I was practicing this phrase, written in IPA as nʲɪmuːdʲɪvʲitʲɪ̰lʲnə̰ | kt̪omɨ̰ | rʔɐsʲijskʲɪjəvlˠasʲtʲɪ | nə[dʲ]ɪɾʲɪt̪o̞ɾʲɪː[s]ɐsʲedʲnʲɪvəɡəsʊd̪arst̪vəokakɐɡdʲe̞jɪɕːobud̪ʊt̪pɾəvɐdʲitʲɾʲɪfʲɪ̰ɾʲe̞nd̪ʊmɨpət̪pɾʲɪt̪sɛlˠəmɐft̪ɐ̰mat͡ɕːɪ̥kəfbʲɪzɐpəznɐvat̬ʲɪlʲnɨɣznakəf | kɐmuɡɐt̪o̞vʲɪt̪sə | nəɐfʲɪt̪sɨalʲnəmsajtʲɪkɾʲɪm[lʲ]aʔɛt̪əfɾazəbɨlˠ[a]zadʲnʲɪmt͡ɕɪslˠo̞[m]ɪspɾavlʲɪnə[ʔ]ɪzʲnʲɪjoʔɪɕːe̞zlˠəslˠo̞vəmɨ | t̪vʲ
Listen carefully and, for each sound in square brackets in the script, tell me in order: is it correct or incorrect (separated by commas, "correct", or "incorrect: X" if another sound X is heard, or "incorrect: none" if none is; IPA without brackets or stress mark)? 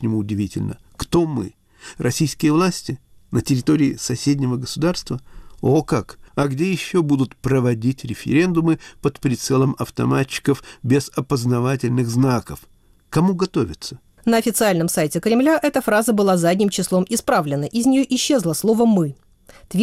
incorrect: tʲ, correct, correct, correct, correct, correct